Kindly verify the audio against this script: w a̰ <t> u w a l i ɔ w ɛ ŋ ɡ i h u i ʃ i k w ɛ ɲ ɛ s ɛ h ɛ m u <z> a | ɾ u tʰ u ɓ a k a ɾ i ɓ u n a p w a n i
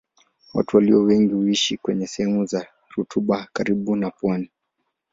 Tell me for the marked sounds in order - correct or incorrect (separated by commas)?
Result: correct, correct